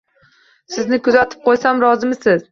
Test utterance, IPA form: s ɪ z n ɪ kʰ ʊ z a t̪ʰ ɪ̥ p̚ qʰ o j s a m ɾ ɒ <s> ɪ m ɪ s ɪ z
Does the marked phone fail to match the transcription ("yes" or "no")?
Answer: yes